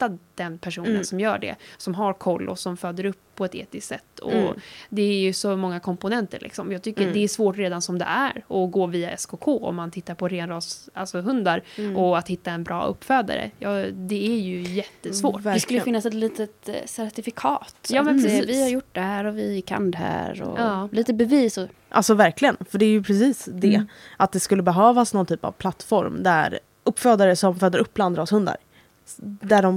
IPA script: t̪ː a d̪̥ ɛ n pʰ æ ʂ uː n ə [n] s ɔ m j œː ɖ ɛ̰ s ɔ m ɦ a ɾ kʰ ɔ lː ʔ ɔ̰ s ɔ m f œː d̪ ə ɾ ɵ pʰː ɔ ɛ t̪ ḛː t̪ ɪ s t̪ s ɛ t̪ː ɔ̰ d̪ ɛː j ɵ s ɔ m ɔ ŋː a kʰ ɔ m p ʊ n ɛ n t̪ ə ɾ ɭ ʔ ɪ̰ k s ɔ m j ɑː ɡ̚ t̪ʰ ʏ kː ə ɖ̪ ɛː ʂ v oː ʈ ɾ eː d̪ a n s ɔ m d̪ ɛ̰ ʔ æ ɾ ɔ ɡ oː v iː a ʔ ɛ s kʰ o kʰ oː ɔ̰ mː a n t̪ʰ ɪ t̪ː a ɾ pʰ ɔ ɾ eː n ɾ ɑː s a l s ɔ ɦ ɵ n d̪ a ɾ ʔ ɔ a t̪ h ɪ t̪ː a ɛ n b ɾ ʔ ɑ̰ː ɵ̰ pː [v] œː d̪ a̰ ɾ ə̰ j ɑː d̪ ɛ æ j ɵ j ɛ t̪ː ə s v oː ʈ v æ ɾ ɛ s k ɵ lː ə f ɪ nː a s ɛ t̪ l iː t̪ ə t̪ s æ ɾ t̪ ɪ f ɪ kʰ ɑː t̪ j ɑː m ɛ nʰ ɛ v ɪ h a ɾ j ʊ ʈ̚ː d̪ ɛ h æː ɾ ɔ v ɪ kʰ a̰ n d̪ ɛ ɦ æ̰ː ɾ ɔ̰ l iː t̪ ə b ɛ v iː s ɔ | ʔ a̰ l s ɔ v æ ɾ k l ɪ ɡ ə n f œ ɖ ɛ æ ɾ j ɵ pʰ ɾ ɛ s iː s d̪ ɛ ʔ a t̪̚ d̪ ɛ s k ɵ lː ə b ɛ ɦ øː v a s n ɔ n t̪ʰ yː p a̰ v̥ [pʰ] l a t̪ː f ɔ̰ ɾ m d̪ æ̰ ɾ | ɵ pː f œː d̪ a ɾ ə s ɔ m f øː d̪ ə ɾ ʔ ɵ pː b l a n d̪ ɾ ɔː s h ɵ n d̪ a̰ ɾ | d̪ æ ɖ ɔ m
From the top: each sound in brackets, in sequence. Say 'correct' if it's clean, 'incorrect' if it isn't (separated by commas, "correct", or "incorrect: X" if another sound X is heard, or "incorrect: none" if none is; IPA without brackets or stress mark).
correct, incorrect: f, correct